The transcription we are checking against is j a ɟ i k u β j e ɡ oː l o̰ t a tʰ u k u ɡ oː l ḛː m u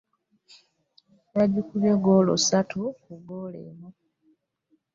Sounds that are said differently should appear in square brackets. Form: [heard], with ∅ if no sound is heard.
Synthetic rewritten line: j a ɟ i k u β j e ɡ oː l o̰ [s] a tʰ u k u ɡ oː l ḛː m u

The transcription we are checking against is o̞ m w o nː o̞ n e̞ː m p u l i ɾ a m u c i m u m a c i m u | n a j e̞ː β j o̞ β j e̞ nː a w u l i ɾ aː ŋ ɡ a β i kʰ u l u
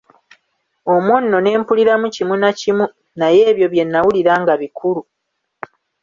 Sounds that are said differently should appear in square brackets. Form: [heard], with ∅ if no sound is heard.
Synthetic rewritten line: o̞ m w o nː o̞ n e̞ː m p u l i ɾ a m u c i m u [n] a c i m u | n a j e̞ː β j o̞ β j e̞ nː a w u l i ɾ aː ŋ ɡ a β i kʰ u l u

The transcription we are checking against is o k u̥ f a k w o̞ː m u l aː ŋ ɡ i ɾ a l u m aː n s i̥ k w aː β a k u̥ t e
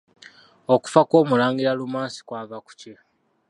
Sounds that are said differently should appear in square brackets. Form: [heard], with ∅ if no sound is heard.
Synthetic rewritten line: o k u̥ f a k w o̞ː m u l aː ŋ ɡ i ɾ a l u m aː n s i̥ k w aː [v] a k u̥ [c] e

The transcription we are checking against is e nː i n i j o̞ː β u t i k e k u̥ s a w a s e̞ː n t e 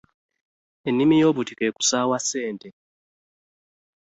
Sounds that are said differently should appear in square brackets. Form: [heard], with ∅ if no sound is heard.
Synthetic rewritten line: e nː i [m] i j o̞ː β u t i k e k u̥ s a w a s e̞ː n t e

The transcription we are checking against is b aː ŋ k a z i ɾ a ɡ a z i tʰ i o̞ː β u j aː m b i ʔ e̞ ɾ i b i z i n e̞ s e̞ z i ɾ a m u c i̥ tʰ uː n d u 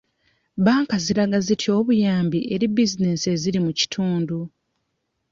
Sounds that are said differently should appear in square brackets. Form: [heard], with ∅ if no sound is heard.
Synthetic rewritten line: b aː ŋ k a z i ɾ a ɡ a z i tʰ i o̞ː β u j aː m b i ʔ e̞ ɾ i b i z i n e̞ s e̞ z i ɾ [i] m u c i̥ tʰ uː n d u

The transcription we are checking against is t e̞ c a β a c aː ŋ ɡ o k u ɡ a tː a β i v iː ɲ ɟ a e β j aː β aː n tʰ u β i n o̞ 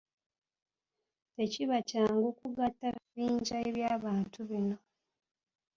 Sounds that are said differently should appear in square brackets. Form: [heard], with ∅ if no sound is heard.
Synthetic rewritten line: t e̞ c [i] β a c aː ŋ ɡ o k u ɡ a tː a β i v iː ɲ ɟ a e β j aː β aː n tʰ u β i n o̞

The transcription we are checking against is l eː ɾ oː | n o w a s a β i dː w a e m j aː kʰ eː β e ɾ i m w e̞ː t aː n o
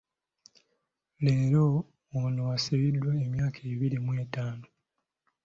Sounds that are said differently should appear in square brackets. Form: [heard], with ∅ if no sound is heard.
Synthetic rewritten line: l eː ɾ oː | n o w a s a β i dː w a e m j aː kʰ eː β [i] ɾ i m w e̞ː t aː n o

